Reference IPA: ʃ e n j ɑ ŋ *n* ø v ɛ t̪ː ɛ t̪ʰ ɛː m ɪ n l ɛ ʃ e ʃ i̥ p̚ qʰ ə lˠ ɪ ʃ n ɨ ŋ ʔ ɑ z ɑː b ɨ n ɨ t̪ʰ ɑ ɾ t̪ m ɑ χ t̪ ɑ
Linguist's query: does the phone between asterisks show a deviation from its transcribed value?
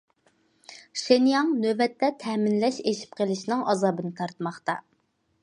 no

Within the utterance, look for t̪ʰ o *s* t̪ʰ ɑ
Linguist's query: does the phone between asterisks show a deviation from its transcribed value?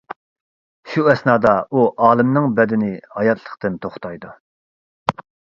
yes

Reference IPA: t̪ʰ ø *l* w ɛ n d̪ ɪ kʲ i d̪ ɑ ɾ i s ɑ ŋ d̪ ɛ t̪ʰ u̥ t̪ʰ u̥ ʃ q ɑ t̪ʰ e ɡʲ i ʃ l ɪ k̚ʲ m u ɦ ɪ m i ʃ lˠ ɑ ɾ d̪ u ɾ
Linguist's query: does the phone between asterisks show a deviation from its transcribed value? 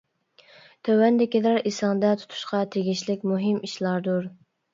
yes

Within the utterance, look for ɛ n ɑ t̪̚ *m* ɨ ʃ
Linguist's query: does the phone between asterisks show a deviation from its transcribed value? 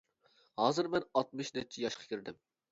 no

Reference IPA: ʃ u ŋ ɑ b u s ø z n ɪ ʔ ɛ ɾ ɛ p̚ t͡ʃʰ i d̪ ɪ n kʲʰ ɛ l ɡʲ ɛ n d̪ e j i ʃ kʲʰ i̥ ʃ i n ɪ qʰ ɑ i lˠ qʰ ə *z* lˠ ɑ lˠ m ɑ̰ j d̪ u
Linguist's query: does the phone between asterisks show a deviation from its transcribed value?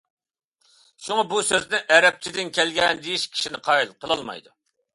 yes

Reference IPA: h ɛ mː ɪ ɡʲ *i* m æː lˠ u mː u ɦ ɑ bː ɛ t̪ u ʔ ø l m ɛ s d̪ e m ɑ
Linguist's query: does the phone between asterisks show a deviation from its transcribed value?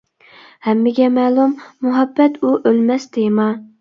yes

